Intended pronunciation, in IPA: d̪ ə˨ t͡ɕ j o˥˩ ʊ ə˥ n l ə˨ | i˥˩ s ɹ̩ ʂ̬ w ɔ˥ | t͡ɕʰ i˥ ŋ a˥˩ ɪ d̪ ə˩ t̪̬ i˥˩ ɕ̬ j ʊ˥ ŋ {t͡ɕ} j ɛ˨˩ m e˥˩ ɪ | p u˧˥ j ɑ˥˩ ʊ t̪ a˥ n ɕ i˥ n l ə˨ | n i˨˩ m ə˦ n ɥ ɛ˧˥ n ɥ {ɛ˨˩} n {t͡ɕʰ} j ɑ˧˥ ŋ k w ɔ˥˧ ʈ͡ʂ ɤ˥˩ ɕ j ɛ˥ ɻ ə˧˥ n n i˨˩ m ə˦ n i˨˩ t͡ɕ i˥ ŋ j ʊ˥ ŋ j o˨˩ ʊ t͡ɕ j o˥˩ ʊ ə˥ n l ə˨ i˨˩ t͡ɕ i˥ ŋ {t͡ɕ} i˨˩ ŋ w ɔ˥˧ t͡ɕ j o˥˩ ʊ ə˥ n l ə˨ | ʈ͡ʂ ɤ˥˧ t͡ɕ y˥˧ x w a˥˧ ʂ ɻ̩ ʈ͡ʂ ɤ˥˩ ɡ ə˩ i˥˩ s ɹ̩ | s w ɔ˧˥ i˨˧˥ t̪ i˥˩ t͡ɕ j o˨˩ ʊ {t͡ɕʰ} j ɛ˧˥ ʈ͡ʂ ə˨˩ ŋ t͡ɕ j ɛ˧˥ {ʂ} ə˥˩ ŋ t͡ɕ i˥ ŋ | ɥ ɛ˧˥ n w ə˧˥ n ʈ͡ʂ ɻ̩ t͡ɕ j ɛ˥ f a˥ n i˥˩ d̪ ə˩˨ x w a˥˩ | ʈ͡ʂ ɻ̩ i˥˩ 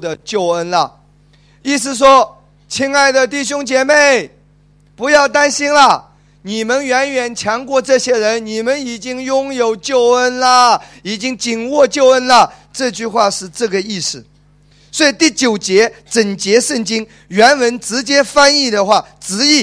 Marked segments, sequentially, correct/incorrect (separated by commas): correct, correct, correct, correct, incorrect, correct